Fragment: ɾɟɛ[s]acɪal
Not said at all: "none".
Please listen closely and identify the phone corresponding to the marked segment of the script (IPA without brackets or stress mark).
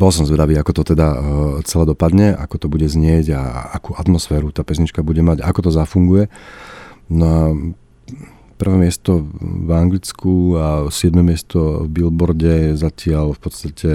z